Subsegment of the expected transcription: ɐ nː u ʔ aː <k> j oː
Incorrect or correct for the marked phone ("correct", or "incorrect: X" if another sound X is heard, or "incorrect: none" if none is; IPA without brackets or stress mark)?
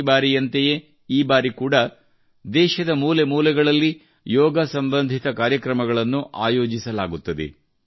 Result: incorrect: none